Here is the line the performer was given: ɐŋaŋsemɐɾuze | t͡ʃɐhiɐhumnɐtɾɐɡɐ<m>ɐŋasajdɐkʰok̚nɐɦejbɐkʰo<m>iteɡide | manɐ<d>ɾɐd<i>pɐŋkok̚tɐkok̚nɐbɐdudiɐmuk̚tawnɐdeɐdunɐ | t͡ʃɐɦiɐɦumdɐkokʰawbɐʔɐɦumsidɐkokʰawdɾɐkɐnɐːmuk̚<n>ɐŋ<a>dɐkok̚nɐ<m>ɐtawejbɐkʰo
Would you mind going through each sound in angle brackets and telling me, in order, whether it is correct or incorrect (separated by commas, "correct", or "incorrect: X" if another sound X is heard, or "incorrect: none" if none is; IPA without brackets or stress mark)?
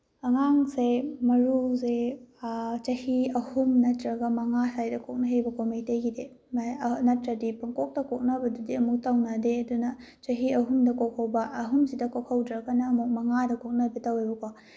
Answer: correct, correct, incorrect: t, correct, incorrect: m, correct, incorrect: b